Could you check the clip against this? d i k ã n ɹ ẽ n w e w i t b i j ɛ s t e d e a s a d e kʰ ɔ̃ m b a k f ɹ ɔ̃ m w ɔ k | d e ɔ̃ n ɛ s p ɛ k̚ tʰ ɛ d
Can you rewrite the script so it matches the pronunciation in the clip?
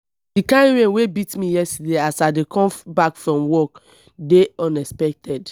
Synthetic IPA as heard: d i k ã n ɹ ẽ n w e b i t m i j ɛ s t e d e a s a d e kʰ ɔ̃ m b a k f ɹ ɔ̃ m w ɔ k | d e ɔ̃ n ɛ s p ɛ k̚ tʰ ɛ d